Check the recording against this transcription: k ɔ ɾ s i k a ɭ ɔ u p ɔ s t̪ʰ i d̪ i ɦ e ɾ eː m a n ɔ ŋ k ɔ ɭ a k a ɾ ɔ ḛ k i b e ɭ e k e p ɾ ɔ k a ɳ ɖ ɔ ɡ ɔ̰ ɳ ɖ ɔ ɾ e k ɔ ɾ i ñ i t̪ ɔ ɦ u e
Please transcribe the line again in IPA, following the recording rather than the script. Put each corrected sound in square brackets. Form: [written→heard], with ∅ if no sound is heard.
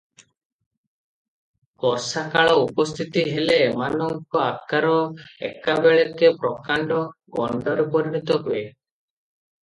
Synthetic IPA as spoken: k ɔ ɾ s [i→a] k a ɭ ɔ u p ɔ s t̪ʰ i [d̪→t̪] i ɦ e [ɾ→l] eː m a n ɔ ŋ k ɔ [ɭ→∅] a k a ɾ ɔ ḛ k [i→a] b e ɭ e k e p ɾ ɔ k a ɳ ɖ ɔ ɡ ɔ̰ ɳ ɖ ɔ ɾ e [k→p] ɔ ɾ i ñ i t̪ ɔ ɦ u e